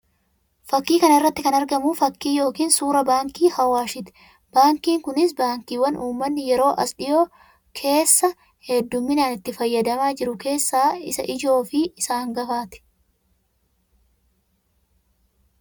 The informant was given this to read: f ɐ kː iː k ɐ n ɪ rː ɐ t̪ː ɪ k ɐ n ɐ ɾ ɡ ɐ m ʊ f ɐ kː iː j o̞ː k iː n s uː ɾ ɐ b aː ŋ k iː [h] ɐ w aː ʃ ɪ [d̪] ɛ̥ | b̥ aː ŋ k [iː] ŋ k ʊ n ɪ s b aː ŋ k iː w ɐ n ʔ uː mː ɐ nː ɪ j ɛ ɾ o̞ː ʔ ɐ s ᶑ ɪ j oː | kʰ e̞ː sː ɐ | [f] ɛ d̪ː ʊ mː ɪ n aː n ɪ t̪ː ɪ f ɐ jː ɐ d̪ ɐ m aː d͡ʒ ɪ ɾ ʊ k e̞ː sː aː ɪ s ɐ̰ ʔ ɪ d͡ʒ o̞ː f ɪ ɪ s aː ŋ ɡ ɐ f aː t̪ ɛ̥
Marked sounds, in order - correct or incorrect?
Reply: correct, incorrect: t̪, correct, incorrect: h

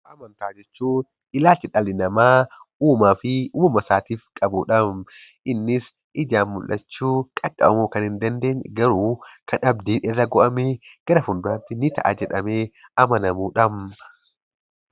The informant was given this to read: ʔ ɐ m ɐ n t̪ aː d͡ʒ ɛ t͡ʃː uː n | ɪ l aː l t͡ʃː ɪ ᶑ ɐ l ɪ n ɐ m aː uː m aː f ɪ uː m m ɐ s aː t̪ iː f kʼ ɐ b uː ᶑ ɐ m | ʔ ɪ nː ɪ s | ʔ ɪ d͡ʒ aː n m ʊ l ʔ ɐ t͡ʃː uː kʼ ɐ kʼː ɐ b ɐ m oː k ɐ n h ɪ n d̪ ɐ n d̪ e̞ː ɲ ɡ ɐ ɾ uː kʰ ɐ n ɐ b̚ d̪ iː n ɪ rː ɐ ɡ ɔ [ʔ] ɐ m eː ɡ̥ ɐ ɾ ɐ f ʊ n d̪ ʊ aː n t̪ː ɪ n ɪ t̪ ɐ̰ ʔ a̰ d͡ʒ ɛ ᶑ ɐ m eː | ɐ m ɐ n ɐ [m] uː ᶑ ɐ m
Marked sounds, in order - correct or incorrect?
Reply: correct, correct

